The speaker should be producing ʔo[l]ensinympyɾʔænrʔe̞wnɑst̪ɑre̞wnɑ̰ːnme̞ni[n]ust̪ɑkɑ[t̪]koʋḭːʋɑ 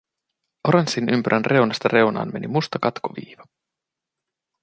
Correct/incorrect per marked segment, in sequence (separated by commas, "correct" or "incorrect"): incorrect, incorrect, correct